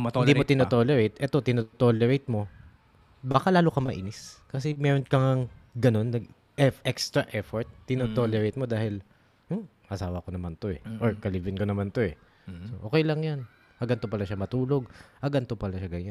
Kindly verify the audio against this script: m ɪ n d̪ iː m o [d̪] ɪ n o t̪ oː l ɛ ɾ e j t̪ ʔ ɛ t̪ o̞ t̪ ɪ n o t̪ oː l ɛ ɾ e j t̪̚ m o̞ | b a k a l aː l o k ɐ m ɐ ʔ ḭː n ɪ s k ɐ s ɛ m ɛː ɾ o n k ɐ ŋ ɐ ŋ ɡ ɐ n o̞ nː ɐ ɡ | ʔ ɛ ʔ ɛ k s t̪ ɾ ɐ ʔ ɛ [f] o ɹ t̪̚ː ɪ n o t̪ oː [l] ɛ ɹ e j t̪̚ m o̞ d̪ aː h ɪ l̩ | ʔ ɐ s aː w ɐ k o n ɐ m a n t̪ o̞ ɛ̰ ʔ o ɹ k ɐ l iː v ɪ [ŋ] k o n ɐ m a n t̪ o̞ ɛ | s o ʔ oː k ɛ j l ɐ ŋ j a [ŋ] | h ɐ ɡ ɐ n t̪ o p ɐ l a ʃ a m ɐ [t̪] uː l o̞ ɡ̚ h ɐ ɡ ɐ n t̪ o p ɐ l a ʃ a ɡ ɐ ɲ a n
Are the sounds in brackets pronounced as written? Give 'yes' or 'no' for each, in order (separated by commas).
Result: no, yes, yes, no, no, yes